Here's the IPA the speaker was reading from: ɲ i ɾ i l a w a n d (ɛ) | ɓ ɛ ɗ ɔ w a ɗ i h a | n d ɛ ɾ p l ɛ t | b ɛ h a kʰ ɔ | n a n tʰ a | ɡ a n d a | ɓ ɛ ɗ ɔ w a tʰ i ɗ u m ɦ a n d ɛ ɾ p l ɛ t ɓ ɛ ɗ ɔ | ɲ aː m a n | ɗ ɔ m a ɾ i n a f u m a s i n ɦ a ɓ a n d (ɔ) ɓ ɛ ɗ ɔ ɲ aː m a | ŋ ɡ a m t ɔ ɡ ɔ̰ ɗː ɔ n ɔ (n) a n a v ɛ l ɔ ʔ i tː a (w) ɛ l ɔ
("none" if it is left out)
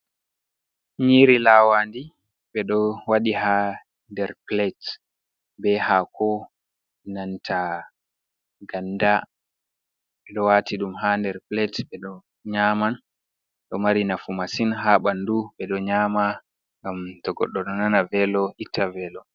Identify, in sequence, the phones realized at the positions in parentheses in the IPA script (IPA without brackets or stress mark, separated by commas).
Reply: i, u, n, v